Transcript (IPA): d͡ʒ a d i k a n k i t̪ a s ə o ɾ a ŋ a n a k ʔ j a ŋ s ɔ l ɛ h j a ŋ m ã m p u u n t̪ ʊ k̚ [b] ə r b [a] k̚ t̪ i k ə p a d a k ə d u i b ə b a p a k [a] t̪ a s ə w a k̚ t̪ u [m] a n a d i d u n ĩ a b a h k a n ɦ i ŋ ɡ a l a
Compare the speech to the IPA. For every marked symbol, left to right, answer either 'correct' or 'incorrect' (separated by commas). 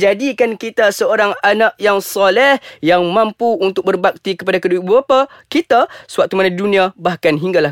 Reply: correct, correct, incorrect, correct